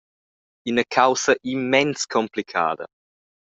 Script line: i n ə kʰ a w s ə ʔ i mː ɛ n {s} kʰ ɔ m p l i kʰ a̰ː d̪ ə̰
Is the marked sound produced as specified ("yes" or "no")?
yes